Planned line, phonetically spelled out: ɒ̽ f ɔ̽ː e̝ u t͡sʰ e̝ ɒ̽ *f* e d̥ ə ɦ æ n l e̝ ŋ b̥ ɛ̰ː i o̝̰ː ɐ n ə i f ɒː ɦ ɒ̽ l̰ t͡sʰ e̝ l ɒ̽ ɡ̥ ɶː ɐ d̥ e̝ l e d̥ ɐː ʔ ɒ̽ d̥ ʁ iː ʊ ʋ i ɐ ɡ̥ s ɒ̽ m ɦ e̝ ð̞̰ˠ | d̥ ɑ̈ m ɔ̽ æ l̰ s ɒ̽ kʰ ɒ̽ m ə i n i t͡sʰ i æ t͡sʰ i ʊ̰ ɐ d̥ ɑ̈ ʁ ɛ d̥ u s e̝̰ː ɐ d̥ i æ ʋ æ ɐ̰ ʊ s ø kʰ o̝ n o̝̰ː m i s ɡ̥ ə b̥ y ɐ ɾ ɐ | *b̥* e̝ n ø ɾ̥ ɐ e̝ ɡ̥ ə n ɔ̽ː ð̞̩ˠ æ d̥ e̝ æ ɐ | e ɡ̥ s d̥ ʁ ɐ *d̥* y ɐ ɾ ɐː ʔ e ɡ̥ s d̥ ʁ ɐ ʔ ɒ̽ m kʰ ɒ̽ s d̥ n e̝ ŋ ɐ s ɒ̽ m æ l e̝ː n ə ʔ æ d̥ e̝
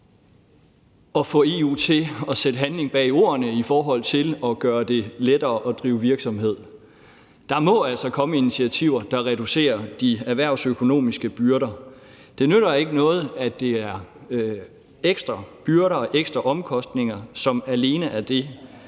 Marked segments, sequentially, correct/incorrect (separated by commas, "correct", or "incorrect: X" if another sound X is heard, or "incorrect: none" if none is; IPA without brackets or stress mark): incorrect: s, incorrect: d̥, incorrect: b̥